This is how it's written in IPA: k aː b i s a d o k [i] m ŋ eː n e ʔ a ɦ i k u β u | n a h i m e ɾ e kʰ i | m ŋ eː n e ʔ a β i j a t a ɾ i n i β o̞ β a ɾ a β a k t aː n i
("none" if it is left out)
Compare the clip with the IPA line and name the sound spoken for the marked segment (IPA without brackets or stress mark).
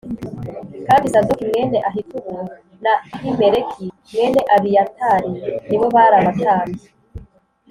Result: i